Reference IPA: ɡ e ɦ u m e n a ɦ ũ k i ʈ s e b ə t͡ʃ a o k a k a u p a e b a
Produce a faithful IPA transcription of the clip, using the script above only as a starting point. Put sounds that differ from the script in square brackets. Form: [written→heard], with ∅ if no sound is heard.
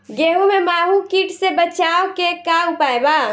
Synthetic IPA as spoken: ɡ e ɦ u m e [n→m] a ɦ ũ k i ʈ s e b ə t͡ʃ a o k [a→e] k a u p a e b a